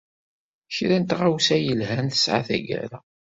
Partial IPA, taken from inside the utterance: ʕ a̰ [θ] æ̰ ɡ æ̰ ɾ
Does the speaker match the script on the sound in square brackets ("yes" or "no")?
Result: yes